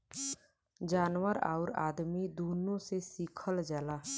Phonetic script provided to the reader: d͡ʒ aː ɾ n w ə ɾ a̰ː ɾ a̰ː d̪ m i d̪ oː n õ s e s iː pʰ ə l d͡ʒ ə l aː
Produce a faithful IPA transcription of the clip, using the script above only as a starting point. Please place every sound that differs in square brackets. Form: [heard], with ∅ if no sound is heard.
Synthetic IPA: d͡ʒ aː [∅] n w ə ɾ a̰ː ɾ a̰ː d̪ m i d̪ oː n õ s e s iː [kʰ] ə l d͡ʒ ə l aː

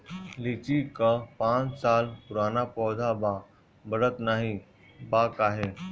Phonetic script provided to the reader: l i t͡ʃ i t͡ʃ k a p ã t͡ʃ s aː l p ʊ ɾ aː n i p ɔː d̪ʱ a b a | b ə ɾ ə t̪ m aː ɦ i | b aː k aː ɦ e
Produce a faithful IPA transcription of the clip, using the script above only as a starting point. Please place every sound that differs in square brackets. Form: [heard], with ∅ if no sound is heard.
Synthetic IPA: l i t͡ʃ i [∅] k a p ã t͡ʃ s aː l p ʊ ɾ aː n [a] p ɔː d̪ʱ a b a | b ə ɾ ə t̪ [n] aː ɦ i | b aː k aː ɦ e

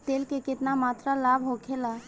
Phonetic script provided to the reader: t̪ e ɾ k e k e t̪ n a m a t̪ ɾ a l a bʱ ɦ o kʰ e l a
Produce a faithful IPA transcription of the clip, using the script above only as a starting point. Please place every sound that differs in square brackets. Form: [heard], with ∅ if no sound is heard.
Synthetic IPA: t̪ e [l] k e k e t̪ n a m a t̪ ɾ a l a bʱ ɦ o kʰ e l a

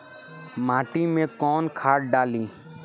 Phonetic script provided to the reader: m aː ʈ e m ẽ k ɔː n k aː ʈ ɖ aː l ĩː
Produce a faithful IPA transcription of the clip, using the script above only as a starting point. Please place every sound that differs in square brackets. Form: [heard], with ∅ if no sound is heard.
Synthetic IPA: m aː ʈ [i] m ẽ k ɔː n [kʰ] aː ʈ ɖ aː l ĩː

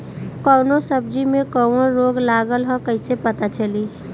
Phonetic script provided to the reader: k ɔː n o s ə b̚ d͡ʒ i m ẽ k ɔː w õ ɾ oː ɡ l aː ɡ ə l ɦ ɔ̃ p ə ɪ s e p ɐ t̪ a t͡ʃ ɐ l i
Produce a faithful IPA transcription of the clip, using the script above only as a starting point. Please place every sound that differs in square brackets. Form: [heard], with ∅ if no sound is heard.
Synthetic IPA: k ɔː n o s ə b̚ d͡ʒ i m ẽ k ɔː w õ ɾ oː ɡ l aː ɡ ə l ɦ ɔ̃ [k] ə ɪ s e p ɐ t̪ a t͡ʃ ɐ l i

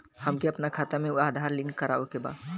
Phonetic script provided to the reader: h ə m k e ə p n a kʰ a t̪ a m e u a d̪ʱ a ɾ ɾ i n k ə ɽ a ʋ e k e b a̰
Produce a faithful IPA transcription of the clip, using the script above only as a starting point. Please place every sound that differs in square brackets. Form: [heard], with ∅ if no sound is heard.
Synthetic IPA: h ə m k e ə p n a kʰ a t̪ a m e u a d̪ʱ a ɾ [l] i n k ə [ɾ] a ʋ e k e b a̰

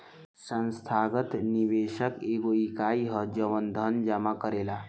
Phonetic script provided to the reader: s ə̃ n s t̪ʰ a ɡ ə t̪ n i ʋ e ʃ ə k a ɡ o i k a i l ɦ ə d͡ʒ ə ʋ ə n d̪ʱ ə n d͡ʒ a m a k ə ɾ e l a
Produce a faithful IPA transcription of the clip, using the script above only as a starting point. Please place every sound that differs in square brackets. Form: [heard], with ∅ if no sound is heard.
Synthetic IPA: s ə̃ n s t̪ʰ a ɡ ə t̪ n i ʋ e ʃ ə k [e] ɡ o i k a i [∅] ɦ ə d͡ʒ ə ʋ ə n d̪ʱ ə n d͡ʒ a m a k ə ɾ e l a

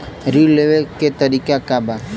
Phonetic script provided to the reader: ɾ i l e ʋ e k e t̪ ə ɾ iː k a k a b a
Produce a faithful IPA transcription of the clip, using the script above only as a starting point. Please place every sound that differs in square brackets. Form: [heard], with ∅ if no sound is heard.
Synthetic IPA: ɾ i l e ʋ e k e t̪ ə ɾ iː k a k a b a

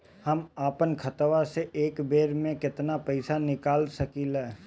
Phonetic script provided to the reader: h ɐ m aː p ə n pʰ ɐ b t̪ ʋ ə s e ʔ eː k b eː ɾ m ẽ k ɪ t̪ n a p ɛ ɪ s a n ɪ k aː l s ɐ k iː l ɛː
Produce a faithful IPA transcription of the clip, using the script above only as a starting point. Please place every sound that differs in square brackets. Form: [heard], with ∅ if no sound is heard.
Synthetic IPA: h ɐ m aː p ə n [kʰ] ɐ [∅] t̪ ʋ [a] s e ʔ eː k b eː ɾ m ẽ k ɪ t̪ n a p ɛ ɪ s a n ɪ k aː l s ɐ k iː l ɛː

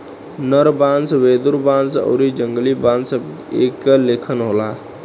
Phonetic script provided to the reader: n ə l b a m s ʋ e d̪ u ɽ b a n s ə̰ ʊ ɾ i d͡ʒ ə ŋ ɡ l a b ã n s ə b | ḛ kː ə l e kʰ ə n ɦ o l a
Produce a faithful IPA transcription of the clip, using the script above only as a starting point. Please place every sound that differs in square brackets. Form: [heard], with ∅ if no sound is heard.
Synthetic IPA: n ə [ɾ] b a [n] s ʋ e d̪ u [ɾ] b a n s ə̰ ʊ ɾ i d͡ʒ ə ŋ ɡ l [i] b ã n s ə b | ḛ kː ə l e kʰ ə n ɦ o l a

